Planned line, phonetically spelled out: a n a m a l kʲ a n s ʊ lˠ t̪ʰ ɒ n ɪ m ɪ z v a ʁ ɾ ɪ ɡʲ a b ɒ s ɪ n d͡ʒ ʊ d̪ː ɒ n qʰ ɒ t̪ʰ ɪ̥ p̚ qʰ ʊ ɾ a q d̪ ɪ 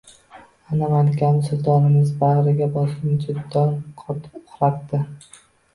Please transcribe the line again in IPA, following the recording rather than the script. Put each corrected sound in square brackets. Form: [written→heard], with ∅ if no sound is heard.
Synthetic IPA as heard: a n a m a l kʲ a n s ʊ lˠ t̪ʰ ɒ n ɪ m ɪ z [v→b] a ʁ ɾ ɪ ɡʲ a b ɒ s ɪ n d͡ʒ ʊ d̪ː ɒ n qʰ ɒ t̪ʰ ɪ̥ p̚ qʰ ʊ ɾ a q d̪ ɪ